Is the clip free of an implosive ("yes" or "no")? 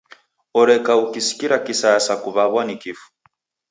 yes